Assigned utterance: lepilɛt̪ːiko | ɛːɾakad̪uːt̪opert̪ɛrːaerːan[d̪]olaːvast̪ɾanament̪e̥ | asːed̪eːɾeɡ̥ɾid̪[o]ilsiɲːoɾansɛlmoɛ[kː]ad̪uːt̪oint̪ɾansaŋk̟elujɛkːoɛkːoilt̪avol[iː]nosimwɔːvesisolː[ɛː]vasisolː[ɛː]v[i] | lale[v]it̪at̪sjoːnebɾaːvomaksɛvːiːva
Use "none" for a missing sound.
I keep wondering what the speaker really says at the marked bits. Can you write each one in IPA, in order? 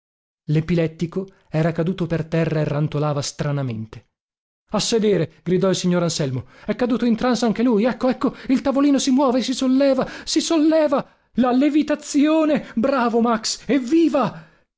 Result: t̪, ɔ, kː, iː, ɛː, ɛː, a, v

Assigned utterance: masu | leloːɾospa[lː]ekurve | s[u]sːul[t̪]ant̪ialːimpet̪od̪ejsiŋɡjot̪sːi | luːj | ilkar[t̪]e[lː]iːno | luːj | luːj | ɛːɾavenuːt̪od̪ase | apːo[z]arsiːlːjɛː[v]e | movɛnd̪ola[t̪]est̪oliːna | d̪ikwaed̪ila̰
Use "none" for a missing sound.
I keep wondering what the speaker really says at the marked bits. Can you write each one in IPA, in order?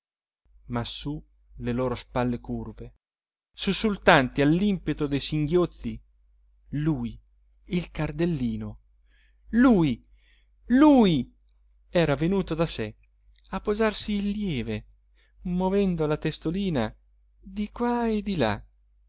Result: lː, u, t̪, d̪, lː, z, v, t̪

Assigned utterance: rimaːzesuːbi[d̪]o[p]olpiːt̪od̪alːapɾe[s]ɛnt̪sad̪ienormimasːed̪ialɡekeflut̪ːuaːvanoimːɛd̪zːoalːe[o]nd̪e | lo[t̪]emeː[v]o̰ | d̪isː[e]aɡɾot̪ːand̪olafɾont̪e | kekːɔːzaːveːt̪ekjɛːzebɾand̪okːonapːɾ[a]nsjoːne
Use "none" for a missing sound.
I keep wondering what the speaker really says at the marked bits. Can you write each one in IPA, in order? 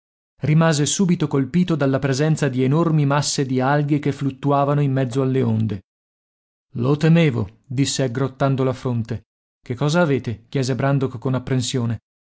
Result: t̪, k, z, o, t̪, v, e, e

